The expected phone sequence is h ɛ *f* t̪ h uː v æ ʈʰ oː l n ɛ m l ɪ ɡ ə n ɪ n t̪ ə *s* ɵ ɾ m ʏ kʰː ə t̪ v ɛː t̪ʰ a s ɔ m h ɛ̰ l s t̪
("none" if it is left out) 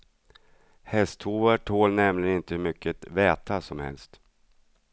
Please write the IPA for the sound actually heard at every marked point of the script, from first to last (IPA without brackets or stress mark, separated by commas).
s, h